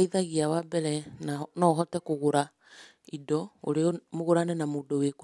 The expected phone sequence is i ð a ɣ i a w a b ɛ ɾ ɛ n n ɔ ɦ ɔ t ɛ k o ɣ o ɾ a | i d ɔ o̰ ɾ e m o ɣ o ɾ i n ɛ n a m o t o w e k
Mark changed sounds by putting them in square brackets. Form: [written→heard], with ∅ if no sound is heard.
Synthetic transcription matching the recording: i ð a ɣ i a w a b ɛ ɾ ɛ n n ɔ ɦ ɔ t ɛ k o ɣ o ɾ a | i d ɔ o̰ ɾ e m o ɣ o ɾ [i→a] n ɛ n a m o [t→d] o w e k